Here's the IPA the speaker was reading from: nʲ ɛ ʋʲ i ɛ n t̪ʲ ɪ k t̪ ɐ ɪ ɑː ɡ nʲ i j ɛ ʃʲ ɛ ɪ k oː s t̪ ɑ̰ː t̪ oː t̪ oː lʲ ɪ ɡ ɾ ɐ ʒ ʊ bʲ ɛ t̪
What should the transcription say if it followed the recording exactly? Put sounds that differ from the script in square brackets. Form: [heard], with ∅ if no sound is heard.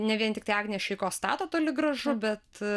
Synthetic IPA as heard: nʲ ɛ ʋʲ i ɛ n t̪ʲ ɪ k t̪ ɐ ɪ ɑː ɡ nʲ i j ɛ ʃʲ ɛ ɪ k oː s t̪ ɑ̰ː t̪ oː t̪ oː lʲ ɪ ɡ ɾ ɐ ʒ ʊ bʲ ɛ t̪

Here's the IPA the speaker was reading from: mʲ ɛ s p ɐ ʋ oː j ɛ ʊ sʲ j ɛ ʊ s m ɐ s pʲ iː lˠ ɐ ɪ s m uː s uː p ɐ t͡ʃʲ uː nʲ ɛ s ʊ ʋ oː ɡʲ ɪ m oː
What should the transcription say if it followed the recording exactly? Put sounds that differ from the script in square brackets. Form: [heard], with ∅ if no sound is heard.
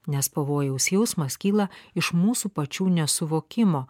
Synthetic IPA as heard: [nʲ] ɛ s p ɐ ʋ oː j ɛ ʊ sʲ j ɛ ʊ s m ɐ s [kʲ] iː lˠ ɐ ɪ [ʃ] m uː s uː p ɐ t͡ʃʲ uː nʲ ɛ s ʊ ʋ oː [kʲ] ɪ m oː

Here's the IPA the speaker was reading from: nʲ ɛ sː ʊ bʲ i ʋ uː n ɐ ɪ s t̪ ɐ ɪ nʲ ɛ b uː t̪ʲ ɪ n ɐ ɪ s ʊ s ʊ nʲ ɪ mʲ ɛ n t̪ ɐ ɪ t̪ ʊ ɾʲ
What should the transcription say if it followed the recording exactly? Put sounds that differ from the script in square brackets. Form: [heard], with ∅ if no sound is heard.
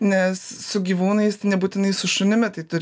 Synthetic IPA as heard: nʲ ɛ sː ʊ [ɡʲ] i ʋ uː n ɐ ɪ s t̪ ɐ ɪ nʲ ɛ b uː t̪ʲ ɪ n ɐ ɪ s ʊ [ʃ] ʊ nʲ ɪ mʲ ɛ [∅] t̪ ɐ ɪ t̪ ʊ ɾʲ

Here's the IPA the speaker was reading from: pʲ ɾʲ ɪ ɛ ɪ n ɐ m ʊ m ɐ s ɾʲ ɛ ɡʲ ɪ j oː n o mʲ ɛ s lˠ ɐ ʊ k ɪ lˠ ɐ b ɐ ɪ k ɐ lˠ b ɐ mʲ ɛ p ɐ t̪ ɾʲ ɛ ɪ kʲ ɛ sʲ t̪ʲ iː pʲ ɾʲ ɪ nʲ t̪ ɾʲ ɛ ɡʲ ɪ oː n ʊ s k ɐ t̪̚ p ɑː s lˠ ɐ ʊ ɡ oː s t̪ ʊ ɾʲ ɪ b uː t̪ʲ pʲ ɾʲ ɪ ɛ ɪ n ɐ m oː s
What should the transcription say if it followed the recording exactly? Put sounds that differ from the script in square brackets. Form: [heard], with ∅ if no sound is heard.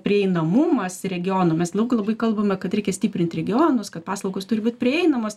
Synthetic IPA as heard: pʲ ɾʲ ɪ ɛ ɪ n ɐ m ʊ m ɐ s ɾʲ ɛ ɡʲ ɪ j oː n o mʲ ɛ s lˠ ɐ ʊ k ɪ lˠ ɐ b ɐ ɪ k ɐ lˠ b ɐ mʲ ɛ [k] ɐ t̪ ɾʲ ɛ ɪ kʲ ɛ sʲ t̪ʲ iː pʲ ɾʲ ɪ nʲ t̪ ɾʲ ɛ ɡʲ ɪ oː n ʊ s k ɐ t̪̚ p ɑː s lˠ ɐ ʊ ɡ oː s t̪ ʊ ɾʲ ɪ b uː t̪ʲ pʲ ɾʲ ɪ ɛ ɪ n ɐ m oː s

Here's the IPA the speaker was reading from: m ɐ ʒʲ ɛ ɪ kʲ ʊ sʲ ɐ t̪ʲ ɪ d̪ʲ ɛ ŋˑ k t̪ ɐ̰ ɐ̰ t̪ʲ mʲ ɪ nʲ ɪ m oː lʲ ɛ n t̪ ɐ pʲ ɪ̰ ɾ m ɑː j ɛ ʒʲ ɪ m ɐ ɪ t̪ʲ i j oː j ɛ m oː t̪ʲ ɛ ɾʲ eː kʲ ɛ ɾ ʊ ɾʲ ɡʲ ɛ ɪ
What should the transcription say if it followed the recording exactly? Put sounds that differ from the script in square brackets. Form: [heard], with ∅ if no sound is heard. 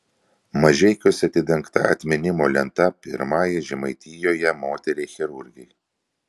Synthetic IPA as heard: m ɐ ʒʲ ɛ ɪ kʲ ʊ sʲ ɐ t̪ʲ ɪ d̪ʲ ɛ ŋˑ k t̪ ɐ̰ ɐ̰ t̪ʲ mʲ ɪ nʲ ɪ m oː lʲ ɛ n t̪ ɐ pʲ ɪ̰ ɾ m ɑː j ɛ ʒʲ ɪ m ɐ ɪ t̪ʲ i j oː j ɛ m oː t̪ʲ ɛ ɾʲ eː [xʲ] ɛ ɾ ʊ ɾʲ ɡʲ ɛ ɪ

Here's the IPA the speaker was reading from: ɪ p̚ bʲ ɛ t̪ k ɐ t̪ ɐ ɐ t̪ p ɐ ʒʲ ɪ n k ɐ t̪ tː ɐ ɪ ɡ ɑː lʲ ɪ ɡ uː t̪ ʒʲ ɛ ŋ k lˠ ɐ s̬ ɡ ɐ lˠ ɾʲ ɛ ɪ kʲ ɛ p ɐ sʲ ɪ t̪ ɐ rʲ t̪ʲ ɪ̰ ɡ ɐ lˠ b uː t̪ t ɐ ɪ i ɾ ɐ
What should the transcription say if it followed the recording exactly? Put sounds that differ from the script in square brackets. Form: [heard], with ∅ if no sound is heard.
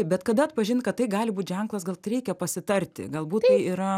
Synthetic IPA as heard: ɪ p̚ bʲ ɛ t̪ k ɐ [d̪] ɐ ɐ t̪ p ɐ ʒʲ ɪ n k ɐ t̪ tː ɐ ɪ ɡ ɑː lʲ ɪ [b] uː t̪ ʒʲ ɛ ŋ k lˠ ɐ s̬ ɡ ɐ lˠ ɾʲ ɛ ɪ kʲ ɛ p ɐ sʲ ɪ t̪ ɐ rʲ t̪ʲ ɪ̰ ɡ ɐ lˠ b uː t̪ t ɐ ɪ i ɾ ɐ

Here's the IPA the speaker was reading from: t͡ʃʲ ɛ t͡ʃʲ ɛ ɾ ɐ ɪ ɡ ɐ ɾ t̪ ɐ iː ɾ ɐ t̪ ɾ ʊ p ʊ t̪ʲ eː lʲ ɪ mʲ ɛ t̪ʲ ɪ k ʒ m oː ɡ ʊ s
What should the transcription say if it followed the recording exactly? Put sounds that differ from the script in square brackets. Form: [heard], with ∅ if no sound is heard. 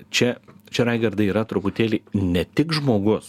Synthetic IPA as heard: t͡ʃʲ ɛ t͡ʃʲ ɛ ɾ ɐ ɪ ɡ ɐ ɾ [d̪] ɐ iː ɾ ɐ t̪ ɾ ʊ p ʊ t̪ʲ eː lʲ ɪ [nʲ] ɛ t̪ʲ ɪ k ʒ m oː ɡ ʊ s

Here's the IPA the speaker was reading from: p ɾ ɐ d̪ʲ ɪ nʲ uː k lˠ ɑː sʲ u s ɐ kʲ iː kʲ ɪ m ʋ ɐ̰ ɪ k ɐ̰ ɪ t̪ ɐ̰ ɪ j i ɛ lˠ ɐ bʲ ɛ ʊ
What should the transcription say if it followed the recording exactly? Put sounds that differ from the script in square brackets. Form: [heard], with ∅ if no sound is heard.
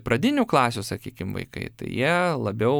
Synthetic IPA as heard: p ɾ ɐ d̪ʲ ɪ nʲ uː k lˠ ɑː sʲ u s ɐ kʲ iː kʲ ɪ m ʋ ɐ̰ ɪ k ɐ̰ ɪ t̪ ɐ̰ ɪ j i ɛ lˠ ɐ bʲ ɛ ʊ

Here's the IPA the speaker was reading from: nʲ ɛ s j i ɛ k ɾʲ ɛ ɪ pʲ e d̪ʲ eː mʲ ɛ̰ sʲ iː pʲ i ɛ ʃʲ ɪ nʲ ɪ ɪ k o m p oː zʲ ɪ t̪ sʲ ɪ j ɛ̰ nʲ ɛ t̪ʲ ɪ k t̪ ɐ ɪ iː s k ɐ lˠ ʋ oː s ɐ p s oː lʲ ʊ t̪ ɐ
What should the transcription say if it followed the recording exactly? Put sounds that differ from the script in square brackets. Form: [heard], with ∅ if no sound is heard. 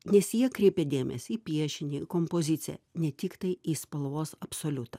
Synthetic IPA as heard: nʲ ɛ s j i ɛ k ɾʲ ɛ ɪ pʲ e d̪ʲ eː mʲ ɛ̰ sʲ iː pʲ i ɛ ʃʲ ɪ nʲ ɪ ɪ k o m p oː zʲ ɪ t̪ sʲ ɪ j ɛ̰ nʲ ɛ t̪ʲ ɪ k t̪ ɐ ɪ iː s [p] ɐ lˠ ʋ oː s ɐ p s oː lʲ ʊ t̪ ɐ

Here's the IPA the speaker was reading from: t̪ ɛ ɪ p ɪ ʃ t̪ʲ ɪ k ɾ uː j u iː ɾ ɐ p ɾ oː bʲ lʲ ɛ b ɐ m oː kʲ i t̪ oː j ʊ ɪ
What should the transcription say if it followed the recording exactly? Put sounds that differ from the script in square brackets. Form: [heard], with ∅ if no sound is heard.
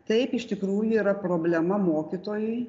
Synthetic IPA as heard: t̪ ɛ ɪ p ɪ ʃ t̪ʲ ɪ k ɾ uː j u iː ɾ ɐ p ɾ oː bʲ lʲ ɛ [m] ɐ m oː kʲ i t̪ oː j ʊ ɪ

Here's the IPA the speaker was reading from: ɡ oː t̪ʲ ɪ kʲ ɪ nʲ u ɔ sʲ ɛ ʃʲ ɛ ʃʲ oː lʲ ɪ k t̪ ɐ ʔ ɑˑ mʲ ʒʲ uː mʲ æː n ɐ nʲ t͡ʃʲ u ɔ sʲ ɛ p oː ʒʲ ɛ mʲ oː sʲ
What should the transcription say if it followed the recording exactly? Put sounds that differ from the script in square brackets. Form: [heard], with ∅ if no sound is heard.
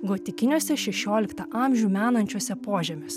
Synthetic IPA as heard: ɡ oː t̪ʲ ɪ kʲ ɪ nʲ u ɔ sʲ ɛ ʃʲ ɛ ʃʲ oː lʲ ɪ k t̪ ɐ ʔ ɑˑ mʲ ʒʲ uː mʲ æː n ɐ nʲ t͡ʃʲ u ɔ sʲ ɛ p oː ʒʲ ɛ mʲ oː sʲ

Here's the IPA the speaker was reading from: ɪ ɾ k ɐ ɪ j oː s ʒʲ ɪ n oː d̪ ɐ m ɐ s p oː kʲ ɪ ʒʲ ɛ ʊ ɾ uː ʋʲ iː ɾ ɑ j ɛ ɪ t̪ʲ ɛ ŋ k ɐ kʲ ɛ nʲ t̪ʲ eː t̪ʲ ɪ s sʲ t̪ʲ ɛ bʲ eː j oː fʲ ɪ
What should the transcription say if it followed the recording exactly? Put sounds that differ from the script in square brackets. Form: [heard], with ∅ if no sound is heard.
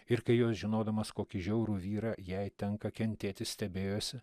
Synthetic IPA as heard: ɪ ɾ k ɐ ɪ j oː s ʒʲ ɪ n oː d̪ ɐ m ɐ s [k] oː kʲ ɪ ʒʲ ɛ ʊ ɾ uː ʋʲ iː ɾ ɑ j ɛ ɪ t̪ʲ ɛ ŋ k ɐ kʲ ɛ nʲ t̪ʲ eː t̪ʲ ɪ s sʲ t̪ʲ ɛ bʲ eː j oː [sʲ] ɪ

